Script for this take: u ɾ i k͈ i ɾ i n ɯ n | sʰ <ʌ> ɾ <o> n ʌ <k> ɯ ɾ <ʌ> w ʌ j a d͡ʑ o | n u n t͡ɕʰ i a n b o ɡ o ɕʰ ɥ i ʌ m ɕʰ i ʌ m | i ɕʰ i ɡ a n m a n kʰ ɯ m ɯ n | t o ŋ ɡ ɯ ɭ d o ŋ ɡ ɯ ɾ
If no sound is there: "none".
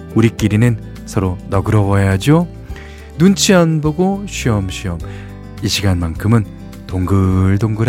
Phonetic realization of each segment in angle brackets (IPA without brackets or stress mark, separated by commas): ʌ, o, ɡ, ʌ